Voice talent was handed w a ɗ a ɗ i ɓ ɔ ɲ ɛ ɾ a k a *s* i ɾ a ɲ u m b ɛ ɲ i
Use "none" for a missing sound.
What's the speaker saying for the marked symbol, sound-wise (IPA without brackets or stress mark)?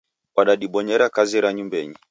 z